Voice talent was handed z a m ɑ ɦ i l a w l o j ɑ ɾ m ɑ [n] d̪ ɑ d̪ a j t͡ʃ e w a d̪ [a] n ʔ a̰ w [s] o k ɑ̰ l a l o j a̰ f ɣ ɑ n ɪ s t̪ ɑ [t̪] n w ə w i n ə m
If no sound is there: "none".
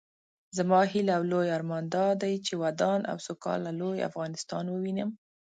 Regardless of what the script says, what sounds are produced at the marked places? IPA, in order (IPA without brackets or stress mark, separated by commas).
n, ɑ, s, none